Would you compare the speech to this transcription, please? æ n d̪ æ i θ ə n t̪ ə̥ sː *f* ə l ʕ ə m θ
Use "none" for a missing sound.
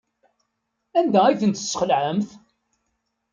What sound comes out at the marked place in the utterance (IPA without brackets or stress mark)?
χ